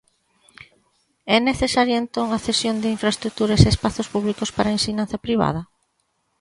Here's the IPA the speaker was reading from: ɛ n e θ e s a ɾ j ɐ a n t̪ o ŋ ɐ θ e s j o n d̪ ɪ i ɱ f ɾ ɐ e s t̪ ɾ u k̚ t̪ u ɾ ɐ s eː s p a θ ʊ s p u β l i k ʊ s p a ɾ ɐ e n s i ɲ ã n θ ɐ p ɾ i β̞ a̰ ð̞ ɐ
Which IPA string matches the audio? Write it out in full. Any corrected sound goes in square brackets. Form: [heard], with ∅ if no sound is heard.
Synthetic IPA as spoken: ɛ n e θ e s a ɾ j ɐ [e] n t̪ o ŋ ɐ θ e s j o n d̪ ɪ i ɱ f ɾ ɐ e s t̪ ɾ u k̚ t̪ u ɾ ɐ s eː s p a θ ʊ s p u β l i k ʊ s p a ɾ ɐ e n s i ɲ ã n θ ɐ p ɾ i β̞ a̰ ð̞ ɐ